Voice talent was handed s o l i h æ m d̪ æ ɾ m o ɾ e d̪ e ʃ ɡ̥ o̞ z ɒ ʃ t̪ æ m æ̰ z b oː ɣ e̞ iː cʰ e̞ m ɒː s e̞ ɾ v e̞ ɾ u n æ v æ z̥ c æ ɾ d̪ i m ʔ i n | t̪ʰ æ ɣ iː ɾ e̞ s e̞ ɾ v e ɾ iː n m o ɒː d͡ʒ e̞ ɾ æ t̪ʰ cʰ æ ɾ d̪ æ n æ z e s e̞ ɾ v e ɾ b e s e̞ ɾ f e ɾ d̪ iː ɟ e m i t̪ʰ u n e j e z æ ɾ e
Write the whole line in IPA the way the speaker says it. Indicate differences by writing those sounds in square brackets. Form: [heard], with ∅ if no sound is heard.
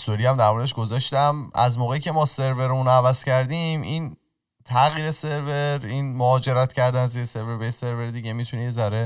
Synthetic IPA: s o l i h æ m d̪ æ ɾ m o ɾ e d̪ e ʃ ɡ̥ o̞ z ɒ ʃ t̪ æ m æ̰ z [m] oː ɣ e̞ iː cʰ e̞ m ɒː s e̞ ɾ v e̞ ɾ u n æ v æ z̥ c æ ɾ d̪ i m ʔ i n | t̪ʰ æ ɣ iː ɾ e̞ s e̞ ɾ v e ɾ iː n m o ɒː d͡ʒ e̞ ɾ æ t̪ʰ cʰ æ ɾ d̪ æ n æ z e s e̞ ɾ v e ɾ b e s e̞ ɾ [v] e ɾ d̪ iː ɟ e m i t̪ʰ u n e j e z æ ɾ e